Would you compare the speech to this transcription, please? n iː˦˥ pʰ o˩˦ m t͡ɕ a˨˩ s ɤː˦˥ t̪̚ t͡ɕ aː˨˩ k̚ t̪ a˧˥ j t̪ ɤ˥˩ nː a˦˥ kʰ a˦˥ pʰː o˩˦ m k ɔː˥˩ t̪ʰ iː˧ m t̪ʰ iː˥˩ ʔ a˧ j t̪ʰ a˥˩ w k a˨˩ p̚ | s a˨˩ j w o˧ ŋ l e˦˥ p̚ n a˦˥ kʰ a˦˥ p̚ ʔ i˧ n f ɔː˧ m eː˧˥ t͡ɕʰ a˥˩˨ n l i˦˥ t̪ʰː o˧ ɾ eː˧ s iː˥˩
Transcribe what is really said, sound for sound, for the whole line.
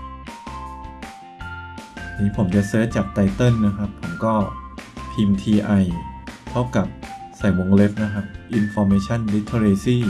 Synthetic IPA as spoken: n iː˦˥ pʰ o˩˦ m t͡ɕ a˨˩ s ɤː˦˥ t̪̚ t͡ɕ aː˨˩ k̚ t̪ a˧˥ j t̪ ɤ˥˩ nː a˦˥ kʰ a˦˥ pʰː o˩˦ m k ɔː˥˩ t̪ʰ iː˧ m t̪ʰ iː˧ ʔ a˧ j t̪ʰ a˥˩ w k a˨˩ p̚ | s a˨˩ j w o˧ ŋ l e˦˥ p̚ n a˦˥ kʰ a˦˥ p̚ ʔ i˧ n f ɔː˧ m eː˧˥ t͡ɕʰ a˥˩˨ n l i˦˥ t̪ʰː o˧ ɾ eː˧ s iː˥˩

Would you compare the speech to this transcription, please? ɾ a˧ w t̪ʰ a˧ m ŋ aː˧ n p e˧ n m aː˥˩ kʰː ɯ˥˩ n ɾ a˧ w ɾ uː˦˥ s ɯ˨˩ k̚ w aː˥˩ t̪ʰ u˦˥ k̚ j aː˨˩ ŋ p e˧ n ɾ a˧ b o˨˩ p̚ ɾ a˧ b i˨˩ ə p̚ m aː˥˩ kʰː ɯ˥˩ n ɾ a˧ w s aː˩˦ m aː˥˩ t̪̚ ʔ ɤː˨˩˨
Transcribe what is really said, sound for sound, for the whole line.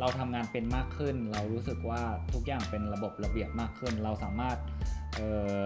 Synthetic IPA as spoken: ɾ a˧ w t̪ʰ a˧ m ŋ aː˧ n p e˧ n m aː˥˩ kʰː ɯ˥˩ n ɾ a˧ w ɾ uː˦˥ s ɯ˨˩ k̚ w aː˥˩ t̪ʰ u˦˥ k̚ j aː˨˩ ŋ p e˧ n ɾ a˧ b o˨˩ p̚ ɾ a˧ b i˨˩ ə p̚ m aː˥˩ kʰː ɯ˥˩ n ɾ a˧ w s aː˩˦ m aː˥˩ t̪̚ ʔ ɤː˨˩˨

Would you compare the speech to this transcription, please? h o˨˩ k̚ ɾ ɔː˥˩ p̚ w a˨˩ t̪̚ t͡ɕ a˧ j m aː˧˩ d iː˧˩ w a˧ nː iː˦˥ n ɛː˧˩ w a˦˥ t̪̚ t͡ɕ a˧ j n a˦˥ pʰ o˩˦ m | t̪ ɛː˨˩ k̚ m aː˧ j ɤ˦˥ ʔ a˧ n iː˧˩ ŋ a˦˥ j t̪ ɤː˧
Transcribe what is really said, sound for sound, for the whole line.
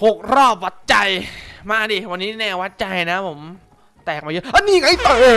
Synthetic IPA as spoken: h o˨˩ k̚ ɾ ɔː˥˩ p̚ w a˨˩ t̪̚ t͡ɕ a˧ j m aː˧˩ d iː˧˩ w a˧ nː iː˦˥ n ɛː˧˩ w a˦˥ t̪̚ t͡ɕ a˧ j n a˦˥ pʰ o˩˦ m | t̪ ɛː˨˩ k̚ m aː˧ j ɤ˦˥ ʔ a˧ n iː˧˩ ŋ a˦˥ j t̪ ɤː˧

